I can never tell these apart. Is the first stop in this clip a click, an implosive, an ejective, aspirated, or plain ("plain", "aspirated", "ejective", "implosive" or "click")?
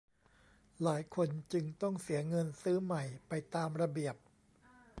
aspirated